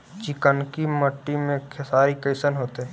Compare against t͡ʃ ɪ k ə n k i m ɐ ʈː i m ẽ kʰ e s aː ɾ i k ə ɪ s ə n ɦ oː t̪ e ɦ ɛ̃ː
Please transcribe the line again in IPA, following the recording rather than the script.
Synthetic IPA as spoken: t͡ʃ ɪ k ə n k i m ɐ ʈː i m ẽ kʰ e s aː ɾ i k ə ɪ s ə n ɦ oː t̪ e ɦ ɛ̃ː